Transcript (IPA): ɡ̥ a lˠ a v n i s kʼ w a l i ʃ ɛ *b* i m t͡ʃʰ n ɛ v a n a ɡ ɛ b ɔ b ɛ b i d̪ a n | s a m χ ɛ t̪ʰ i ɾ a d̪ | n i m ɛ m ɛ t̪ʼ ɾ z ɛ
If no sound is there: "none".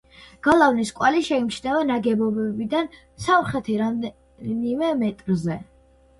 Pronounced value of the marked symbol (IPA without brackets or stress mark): none